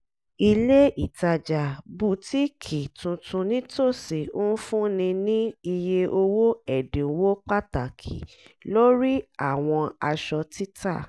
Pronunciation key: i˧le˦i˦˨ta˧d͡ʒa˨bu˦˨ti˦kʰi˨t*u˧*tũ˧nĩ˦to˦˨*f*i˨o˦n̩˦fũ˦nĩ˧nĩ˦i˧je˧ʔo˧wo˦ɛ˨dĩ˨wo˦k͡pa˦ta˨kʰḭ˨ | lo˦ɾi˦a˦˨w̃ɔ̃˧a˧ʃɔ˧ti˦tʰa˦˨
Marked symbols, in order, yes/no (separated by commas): no, no